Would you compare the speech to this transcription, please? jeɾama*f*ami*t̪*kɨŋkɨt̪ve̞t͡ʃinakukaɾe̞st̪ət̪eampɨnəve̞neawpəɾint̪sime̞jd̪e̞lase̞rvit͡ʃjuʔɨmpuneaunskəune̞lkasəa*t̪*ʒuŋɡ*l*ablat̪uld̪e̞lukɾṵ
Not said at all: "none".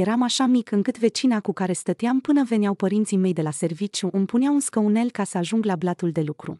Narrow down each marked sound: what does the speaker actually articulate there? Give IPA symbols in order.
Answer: ʃ, none, none, l

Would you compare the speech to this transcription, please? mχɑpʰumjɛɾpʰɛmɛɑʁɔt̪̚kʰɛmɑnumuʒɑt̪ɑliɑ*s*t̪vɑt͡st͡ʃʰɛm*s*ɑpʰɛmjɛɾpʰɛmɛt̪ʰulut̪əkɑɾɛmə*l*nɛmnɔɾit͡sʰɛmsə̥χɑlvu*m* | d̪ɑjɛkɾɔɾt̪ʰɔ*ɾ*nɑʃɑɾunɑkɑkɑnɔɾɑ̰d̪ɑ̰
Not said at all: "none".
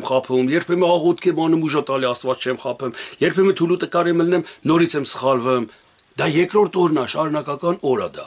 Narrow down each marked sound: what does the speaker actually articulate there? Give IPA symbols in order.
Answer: s, χ, l, m, ɾ

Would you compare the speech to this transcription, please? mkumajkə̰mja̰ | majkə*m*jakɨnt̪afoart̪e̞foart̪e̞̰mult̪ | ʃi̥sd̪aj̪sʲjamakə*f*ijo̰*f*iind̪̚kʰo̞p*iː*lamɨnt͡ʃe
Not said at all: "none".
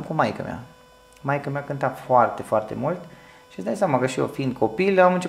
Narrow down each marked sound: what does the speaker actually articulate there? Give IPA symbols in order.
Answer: m, ʃ, f, i

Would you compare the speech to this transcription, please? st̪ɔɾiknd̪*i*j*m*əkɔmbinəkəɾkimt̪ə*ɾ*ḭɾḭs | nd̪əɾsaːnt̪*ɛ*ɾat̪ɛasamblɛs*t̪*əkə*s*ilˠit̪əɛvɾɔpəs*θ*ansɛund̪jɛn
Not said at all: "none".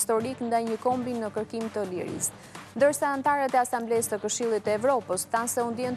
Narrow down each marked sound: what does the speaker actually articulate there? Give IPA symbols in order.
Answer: a, ɲ, l, a, t̪, ʃ, θ

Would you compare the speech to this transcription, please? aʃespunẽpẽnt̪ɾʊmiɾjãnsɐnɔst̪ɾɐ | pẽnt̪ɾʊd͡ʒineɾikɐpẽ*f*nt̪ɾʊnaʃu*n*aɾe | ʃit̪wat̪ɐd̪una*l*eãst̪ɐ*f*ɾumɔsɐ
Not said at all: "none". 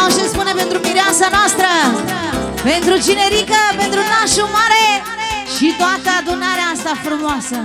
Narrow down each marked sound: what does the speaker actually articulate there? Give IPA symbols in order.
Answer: none, m, ɾ, f

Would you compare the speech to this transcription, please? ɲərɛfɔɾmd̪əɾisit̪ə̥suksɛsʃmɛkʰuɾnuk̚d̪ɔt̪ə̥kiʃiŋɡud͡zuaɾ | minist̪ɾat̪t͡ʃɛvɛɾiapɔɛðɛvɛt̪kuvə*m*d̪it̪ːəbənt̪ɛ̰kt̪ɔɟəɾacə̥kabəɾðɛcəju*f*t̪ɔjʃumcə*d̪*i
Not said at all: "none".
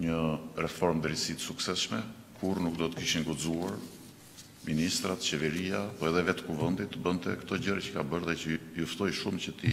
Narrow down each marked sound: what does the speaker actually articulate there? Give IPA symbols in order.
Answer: n, f, t̪

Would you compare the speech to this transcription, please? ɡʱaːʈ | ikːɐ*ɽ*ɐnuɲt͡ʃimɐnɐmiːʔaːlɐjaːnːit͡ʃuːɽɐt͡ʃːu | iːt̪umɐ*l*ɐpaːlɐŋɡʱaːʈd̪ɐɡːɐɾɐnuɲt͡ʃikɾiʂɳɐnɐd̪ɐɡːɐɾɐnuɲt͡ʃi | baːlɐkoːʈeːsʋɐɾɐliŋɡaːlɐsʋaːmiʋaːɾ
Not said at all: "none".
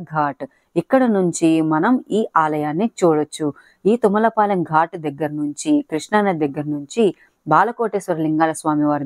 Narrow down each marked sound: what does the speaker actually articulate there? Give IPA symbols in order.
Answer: ɽ, l

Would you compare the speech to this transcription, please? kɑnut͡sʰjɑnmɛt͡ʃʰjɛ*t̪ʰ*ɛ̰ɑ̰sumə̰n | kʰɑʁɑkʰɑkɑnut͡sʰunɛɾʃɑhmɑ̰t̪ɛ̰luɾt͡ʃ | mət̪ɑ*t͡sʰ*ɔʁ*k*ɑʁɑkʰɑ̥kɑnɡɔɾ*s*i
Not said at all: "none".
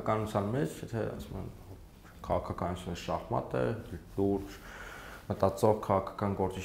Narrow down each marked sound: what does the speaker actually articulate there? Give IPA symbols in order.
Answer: t̪ʰ, t͡s, kʰ, t͡s

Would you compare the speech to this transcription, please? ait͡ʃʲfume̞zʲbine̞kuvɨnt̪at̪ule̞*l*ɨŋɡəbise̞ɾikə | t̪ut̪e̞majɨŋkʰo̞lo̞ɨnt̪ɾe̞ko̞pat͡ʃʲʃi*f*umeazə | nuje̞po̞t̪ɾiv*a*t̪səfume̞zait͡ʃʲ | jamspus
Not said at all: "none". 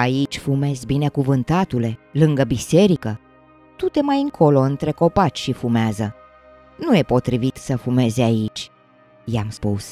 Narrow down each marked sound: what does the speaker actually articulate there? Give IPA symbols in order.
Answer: l, f, i

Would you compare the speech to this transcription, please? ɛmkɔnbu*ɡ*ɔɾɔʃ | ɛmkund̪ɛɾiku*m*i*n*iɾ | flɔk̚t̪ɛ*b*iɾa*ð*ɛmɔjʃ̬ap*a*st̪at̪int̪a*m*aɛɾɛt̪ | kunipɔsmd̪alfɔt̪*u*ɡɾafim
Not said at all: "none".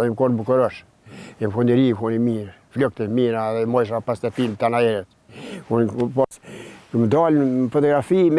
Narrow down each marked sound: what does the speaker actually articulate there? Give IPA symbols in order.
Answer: k, n, m, m, ð, a, n, ɔ

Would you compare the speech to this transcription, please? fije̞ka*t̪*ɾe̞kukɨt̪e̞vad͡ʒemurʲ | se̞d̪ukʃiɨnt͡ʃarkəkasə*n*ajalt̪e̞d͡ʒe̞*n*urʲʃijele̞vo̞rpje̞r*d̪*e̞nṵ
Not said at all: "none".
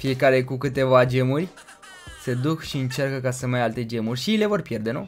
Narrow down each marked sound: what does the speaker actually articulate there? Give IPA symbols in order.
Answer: none, m, m, d̪

